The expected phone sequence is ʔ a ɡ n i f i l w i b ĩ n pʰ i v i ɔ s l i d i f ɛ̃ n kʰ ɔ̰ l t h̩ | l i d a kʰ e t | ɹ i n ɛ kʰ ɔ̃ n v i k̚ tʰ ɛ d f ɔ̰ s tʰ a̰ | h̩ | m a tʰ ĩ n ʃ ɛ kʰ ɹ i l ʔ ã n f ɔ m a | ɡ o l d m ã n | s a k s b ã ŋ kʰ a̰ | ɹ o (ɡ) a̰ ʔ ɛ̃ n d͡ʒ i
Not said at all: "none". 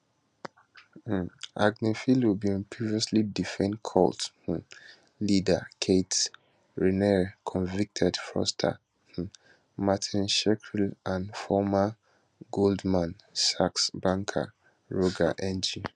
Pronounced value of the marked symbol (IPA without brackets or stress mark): ɡ